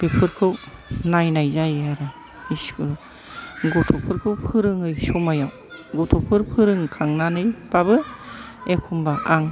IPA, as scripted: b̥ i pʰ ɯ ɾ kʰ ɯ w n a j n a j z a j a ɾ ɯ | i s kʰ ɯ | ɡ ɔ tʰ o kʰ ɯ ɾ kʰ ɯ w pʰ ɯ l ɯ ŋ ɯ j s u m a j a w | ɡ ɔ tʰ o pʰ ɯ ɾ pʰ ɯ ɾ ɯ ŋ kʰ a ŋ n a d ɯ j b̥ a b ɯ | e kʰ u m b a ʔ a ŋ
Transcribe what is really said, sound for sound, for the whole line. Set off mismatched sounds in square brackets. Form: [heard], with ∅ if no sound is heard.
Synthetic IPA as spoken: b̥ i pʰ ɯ ɾ kʰ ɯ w n a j n a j z a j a ɾ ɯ | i s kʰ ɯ | ɡ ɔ tʰ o [pʰ] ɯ ɾ kʰ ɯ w pʰ ɯ [ɾ] ɯ ŋ ɯ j s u m a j a w | ɡ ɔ tʰ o pʰ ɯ ɾ pʰ ɯ ɾ ɯ ŋ kʰ a ŋ n a [n] ɯ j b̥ a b ɯ | e kʰ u m b a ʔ a ŋ